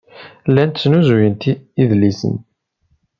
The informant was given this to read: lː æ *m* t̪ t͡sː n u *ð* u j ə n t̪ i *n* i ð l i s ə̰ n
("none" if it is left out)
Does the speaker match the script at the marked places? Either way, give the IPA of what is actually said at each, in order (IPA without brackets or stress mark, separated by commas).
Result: n, z, none